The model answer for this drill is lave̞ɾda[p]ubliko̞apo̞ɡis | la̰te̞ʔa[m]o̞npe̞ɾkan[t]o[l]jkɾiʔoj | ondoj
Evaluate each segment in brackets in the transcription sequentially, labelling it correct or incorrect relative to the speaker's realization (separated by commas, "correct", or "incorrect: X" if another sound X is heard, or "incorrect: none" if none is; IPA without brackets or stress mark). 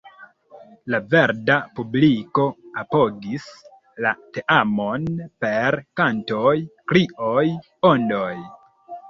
correct, correct, correct, incorrect: none